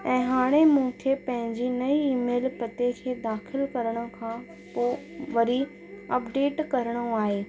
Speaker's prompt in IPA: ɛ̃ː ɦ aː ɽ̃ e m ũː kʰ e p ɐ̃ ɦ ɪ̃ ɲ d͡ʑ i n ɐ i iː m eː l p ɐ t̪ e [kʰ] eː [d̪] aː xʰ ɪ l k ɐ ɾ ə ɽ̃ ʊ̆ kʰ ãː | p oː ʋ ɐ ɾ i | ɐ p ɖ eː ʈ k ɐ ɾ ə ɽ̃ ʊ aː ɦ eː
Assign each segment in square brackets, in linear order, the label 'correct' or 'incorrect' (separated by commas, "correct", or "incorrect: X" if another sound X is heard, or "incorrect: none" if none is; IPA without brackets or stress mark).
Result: correct, correct